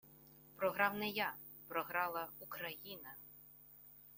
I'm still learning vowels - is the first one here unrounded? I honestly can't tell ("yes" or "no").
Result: no